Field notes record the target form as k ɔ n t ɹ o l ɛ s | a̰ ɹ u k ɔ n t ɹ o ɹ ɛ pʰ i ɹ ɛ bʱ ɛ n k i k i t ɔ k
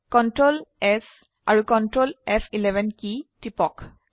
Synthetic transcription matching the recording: k ɔ n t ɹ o l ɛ s | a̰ ɹ u k ɔ n t ɹ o l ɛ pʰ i l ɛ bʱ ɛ n k i t i p ɔ k

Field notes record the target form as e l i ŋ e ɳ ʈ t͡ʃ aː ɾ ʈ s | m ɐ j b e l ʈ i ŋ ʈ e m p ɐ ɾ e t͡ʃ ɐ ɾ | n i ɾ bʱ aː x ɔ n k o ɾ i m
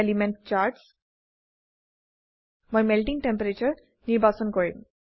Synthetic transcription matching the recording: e l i m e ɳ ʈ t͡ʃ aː ɾ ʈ s | m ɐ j m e l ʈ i ŋ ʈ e m p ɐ ɾ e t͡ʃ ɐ ɾ | n i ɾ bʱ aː s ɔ n k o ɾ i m

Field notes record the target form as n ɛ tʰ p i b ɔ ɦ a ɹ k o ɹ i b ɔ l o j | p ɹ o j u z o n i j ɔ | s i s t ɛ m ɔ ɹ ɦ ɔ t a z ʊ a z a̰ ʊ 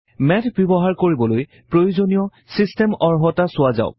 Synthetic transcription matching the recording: m ɛ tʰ b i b ɔ ɦ a ɹ k o ɹ i b ɔ l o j | p ɹ o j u z o n i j ɔ | s i s t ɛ m ɔ ɹ ɦ ɔ t a s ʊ a z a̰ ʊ

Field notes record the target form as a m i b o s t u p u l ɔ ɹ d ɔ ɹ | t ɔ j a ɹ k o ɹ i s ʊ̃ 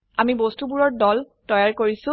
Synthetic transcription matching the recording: a m i b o s t u b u ɹ ɔ ɹ d ɔ l | t ɔ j a ɹ k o ɹ i s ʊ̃

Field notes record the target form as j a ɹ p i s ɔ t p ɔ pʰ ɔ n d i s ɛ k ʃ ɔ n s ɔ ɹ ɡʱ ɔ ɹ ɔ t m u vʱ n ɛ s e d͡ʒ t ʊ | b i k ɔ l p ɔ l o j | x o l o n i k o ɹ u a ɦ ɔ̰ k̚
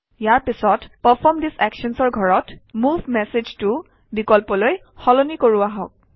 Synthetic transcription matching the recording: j a ɹ p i s ɔ t p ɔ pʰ ɔ m d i s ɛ k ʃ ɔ n s ɔ ɹ ɡʱ ɔ ɹ ɔ t m u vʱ m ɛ s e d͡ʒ t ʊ | b i k ɔ l p ɔ l o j | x ɔ l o n i k o ɹ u a ɦ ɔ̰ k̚

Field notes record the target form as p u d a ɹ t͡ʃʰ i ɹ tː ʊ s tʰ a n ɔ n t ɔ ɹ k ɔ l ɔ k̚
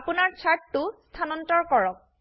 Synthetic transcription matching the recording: p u n a ɹ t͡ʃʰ a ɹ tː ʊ s tʰ a n ɔ n t ɔ ɹ k ɔ ɹ ɔ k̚

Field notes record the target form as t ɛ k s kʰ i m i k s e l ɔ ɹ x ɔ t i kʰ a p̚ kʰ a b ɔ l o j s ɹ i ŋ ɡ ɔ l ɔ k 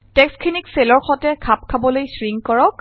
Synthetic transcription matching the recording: t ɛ k s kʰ i n i k s e l ɔ ɹ x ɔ t ɛ kʰ a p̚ kʰ a b ɔ l o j s ɹ i ŋ k ɔ ɹ ɔ k

